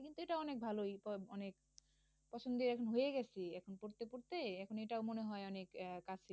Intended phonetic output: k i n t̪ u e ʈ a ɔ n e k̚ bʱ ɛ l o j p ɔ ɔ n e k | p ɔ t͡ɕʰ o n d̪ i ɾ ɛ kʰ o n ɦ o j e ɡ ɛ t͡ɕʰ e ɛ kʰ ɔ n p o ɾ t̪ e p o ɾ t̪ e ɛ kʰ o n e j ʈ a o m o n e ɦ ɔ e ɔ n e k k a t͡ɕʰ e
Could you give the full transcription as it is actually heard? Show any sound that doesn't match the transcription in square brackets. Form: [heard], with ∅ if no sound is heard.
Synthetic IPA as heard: k i n t̪ u e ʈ a ɔ n e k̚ bʱ [a] l o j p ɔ ɔ n e k | p ɔ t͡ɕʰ o n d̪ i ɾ ɛ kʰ o n ɦ o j e ɡ ɛ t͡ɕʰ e ɛ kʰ [o] n p o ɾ t̪ e p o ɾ t̪ e ɛ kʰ o n e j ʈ a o m o n e ɦ ɔ e ɔ n e k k a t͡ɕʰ e